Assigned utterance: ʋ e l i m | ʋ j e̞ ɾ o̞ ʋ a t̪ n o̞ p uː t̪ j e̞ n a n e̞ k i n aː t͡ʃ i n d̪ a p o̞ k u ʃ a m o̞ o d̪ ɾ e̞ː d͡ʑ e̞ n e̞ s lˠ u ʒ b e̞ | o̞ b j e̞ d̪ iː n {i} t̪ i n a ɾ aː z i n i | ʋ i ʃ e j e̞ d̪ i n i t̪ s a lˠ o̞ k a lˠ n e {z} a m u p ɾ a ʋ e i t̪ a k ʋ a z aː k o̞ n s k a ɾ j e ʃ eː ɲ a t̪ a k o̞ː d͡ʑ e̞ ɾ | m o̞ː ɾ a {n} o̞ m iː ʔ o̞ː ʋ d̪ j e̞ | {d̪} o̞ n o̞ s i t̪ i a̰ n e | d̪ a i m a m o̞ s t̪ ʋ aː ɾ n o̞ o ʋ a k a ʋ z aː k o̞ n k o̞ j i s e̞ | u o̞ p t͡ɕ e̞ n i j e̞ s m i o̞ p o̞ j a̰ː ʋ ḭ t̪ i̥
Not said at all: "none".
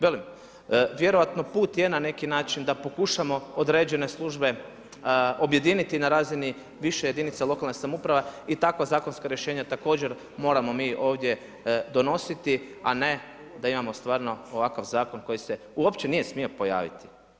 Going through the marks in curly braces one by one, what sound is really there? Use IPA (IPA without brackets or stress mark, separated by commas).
i, s, m, d̪